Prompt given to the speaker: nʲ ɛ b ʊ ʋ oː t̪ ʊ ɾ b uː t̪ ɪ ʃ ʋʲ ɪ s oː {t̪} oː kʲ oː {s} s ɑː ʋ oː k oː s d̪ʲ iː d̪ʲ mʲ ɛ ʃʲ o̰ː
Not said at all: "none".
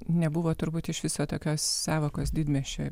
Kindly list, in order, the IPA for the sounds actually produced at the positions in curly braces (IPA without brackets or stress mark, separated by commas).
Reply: t̪, s